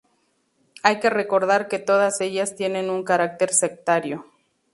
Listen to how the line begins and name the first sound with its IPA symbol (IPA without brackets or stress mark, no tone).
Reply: a